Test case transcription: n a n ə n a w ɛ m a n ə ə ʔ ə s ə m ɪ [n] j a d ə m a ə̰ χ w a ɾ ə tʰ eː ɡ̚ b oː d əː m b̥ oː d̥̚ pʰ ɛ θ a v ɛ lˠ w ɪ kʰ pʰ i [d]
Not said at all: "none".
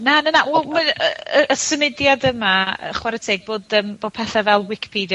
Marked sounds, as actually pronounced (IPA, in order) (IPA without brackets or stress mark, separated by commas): d, d